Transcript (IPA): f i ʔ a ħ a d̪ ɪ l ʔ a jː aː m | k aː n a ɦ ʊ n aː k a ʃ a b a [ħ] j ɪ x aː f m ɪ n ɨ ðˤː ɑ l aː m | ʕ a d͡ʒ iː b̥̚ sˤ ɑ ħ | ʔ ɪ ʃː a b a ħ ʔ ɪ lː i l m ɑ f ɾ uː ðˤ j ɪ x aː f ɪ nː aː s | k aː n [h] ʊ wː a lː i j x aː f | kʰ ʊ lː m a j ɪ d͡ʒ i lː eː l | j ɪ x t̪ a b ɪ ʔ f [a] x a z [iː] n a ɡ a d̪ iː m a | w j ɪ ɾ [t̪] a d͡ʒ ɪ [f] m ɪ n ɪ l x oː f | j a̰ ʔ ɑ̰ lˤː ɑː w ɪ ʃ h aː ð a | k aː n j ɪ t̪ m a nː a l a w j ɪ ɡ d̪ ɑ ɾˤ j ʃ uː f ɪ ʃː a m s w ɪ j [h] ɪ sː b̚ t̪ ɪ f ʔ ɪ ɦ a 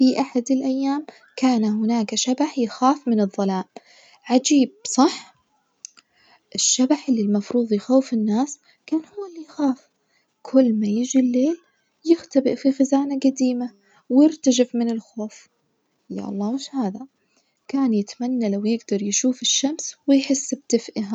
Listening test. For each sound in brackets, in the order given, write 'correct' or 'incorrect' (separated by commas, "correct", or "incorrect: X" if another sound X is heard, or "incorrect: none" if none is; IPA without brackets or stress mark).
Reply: correct, correct, incorrect: i, incorrect: aː, correct, correct, incorrect: ħ